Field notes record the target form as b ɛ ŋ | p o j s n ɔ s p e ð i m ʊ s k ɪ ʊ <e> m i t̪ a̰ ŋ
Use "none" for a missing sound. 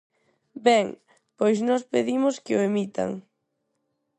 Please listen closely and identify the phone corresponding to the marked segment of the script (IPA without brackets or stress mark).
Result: e